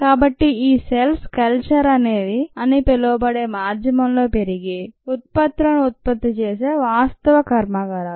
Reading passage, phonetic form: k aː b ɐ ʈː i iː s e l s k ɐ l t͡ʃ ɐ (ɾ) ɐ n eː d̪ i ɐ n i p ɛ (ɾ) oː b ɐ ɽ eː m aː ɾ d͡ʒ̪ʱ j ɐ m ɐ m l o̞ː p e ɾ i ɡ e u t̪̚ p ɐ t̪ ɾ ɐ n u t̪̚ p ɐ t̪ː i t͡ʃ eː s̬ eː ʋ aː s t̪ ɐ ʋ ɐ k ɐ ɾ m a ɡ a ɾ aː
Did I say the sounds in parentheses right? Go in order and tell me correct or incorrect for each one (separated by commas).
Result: correct, incorrect